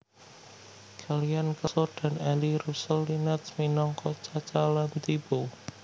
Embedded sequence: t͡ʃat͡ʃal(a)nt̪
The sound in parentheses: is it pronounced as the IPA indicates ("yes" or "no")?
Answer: yes